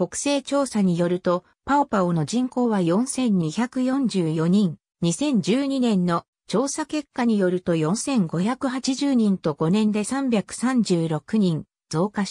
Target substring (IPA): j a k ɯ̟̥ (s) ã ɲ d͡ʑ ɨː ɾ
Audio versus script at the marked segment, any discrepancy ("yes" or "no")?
no